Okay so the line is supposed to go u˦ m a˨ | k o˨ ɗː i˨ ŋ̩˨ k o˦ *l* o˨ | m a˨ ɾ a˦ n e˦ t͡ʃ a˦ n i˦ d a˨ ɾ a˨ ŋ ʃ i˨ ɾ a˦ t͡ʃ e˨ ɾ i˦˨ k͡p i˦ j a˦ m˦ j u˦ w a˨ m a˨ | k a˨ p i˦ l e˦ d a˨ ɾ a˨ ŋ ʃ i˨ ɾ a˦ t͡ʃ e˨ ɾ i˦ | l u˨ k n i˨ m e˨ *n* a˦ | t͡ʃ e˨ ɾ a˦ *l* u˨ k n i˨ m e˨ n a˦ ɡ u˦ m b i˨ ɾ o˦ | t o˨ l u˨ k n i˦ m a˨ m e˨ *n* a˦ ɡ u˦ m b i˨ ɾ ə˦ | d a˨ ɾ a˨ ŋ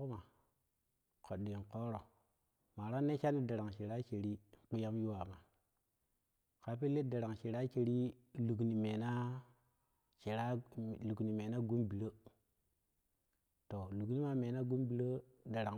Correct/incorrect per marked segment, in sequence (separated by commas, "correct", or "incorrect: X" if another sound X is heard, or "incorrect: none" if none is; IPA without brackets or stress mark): incorrect: ɾ, correct, correct, correct